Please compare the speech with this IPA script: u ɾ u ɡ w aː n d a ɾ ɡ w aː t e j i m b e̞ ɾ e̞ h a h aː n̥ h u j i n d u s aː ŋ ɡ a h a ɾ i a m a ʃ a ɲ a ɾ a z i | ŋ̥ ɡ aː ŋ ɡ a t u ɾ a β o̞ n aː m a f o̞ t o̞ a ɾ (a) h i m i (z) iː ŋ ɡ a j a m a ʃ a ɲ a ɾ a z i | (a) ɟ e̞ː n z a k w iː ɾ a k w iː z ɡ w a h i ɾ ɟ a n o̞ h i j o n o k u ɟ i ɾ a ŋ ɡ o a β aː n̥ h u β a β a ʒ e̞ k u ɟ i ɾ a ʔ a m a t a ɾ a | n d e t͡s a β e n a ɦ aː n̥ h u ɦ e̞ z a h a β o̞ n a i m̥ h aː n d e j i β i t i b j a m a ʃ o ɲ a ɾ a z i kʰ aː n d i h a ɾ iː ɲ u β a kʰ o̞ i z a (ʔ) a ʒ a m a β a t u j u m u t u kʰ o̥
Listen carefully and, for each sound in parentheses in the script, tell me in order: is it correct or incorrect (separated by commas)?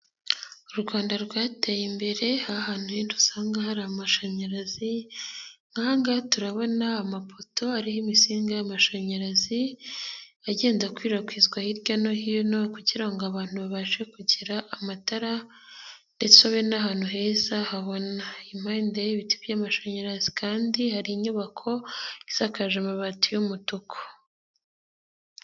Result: incorrect, incorrect, correct, incorrect